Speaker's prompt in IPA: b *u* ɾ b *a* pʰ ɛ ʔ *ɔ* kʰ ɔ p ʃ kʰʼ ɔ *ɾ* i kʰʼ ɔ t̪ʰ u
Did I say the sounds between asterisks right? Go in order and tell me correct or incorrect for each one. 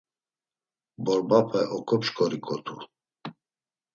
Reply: incorrect: ɔ, correct, correct, correct

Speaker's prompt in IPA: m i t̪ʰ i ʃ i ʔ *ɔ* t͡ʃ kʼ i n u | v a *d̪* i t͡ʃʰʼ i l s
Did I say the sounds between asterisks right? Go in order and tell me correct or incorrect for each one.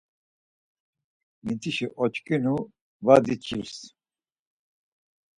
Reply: correct, correct

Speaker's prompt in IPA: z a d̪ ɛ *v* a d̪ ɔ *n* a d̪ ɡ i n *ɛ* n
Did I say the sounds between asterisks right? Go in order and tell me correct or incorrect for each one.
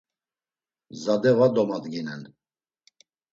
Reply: correct, incorrect: m, correct

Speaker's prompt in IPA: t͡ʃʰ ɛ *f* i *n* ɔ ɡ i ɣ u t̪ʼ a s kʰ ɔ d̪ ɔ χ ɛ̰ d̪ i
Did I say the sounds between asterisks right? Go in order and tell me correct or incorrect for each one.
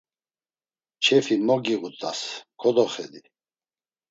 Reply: correct, incorrect: m

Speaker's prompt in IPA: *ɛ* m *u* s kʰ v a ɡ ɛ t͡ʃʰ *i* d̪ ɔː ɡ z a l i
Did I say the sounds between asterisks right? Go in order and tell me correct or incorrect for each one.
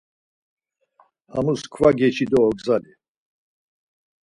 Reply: incorrect: a, correct, correct

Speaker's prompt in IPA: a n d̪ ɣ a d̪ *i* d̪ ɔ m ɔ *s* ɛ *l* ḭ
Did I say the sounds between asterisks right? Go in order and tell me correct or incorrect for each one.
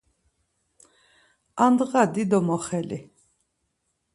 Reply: correct, incorrect: χ, correct

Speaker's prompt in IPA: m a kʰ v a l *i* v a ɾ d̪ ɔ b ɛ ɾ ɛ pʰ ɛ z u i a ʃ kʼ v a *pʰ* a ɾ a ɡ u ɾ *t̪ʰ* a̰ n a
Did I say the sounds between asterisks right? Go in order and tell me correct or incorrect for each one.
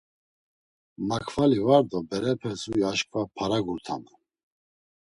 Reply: correct, correct, correct

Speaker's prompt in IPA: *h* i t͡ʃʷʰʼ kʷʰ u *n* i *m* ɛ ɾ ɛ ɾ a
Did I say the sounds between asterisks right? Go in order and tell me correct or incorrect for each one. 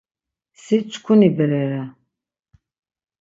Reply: incorrect: s, correct, incorrect: b

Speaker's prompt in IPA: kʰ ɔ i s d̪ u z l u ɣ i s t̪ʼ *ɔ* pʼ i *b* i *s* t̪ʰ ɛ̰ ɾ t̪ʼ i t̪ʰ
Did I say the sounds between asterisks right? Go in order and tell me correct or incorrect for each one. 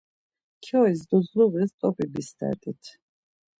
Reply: correct, correct, correct

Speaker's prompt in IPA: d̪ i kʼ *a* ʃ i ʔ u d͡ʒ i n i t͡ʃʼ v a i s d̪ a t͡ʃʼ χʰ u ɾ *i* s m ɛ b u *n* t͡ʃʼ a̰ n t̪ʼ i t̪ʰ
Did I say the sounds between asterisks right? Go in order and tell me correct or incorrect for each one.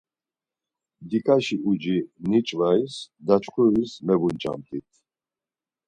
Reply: correct, correct, correct

